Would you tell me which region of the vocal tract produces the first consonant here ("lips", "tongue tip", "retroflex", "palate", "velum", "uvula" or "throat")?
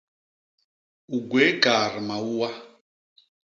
velum